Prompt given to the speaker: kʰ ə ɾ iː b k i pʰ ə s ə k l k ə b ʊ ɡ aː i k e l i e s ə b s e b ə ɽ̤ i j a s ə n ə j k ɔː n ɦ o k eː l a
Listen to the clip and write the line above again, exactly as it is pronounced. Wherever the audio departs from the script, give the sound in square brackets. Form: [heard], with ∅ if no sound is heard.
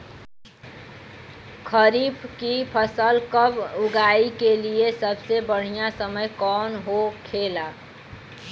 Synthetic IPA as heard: kʰ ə ɾ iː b k i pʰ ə s ə [∅] l k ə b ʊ ɡ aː i k e l i e s ə b s e b ə ɽ̤ i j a s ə [m] ə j k ɔː n ɦ o [kʰ] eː l a